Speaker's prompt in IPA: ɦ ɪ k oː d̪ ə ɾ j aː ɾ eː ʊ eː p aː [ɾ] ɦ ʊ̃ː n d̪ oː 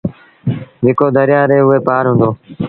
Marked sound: correct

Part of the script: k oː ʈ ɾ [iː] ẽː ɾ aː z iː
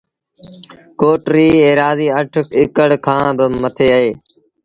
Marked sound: correct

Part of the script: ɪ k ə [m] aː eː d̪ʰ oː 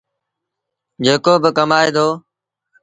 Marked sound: correct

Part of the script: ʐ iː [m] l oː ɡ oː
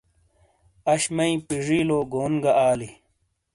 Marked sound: incorrect: none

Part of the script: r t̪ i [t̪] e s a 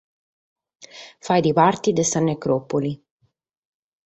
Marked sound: incorrect: d̪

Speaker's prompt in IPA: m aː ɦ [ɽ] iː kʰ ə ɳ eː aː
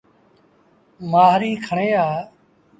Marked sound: incorrect: ɾ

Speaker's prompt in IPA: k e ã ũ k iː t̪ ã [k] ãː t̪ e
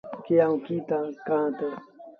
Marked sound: correct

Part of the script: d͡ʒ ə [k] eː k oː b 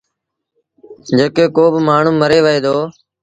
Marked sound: correct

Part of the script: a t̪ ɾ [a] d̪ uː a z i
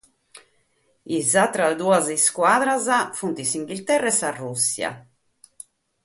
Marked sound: correct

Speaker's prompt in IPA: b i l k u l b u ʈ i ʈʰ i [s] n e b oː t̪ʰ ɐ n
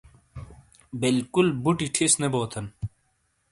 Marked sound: correct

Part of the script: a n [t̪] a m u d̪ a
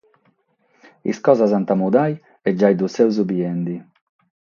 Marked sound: correct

